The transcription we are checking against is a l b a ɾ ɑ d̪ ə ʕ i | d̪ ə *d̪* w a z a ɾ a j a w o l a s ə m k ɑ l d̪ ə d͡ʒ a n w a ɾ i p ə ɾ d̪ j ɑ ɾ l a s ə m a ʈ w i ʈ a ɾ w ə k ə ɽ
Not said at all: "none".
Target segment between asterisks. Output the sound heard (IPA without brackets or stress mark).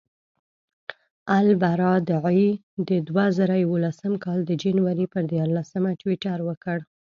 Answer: d̪